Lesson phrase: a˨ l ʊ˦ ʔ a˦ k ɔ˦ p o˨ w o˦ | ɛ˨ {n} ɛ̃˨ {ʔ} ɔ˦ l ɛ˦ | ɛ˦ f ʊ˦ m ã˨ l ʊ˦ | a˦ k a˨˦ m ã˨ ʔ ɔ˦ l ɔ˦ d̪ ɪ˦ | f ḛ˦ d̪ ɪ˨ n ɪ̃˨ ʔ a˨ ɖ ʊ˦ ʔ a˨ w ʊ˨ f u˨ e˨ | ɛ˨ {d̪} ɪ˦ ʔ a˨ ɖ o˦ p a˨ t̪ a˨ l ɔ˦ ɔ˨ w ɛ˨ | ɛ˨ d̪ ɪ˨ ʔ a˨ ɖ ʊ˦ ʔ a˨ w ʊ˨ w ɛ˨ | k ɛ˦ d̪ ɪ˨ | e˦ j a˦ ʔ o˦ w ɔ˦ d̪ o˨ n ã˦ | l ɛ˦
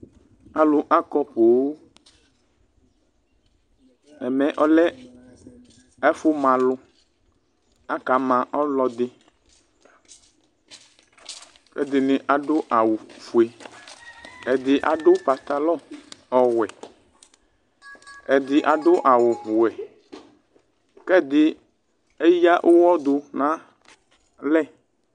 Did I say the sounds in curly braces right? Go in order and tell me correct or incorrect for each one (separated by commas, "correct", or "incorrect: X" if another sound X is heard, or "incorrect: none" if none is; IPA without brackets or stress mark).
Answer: incorrect: m, correct, correct